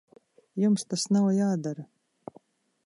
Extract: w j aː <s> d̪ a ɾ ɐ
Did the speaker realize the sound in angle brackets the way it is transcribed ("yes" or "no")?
no